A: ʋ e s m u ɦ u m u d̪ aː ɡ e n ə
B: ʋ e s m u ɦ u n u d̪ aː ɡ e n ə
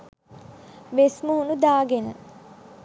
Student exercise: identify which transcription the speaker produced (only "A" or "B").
B